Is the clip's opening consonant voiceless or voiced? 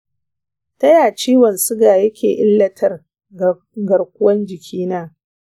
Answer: voiceless